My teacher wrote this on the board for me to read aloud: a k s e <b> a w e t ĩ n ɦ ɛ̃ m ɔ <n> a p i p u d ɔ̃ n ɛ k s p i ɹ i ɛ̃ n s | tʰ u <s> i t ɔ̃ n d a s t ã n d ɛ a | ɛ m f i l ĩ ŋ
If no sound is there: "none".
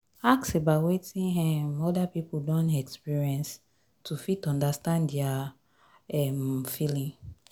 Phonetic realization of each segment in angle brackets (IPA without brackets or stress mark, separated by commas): b, d, f